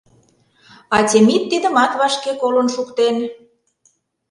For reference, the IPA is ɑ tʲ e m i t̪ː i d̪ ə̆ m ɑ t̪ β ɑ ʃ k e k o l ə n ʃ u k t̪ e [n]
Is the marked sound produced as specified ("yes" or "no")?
yes